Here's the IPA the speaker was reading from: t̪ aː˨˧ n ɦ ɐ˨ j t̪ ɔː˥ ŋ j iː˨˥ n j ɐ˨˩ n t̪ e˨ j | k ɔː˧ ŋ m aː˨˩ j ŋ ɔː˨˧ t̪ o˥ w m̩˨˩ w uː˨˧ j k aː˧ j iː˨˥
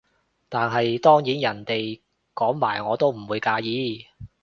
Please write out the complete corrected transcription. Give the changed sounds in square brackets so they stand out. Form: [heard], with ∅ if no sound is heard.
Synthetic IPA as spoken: t̪ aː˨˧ n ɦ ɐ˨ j t̪ ɔː˥ ŋ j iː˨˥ n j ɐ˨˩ n t̪ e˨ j | k [ɔː˨˥] ŋ m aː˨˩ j ŋ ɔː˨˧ t̪ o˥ w m̩˨˩ w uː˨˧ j k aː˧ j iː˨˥

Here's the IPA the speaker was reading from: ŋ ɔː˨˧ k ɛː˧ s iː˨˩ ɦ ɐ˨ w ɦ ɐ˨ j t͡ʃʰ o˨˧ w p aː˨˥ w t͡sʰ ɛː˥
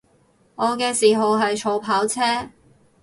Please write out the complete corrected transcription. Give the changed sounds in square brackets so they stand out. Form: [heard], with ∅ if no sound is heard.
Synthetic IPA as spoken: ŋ ɔː˨˧ k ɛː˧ s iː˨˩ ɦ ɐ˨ w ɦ ɐ˨ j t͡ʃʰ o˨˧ w [pʰ] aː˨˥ w t͡sʰ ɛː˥

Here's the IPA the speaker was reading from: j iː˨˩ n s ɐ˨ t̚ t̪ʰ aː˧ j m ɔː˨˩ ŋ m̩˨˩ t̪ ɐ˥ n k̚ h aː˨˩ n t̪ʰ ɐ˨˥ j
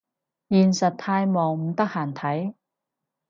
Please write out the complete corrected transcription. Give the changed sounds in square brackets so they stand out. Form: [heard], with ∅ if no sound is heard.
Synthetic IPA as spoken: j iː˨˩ n s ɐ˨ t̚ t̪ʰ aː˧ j m ɔː˨˩ ŋ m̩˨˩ t̪ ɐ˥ [∅] k̚ h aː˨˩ n t̪ʰ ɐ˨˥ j

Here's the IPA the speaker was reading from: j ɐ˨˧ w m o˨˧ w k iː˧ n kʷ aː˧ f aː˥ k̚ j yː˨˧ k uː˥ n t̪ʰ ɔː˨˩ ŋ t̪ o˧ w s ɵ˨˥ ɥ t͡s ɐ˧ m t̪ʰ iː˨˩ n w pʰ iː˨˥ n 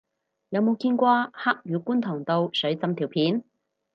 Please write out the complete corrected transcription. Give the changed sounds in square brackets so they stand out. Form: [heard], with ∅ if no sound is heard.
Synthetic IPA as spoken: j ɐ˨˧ w m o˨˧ w k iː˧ n kʷ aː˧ [h] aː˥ k̚ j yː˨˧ k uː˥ n t̪ʰ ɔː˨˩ ŋ t̪ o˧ w s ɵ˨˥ ɥ t͡s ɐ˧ m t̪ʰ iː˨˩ [∅] w pʰ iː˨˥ n

